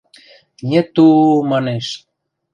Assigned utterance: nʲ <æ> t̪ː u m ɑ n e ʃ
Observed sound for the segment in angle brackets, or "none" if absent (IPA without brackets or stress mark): e